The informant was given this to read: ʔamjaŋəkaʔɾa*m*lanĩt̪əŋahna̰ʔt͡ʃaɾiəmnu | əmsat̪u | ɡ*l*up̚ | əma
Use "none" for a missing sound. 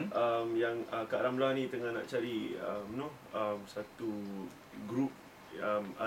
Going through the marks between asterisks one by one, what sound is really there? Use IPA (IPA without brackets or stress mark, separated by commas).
m, ɾ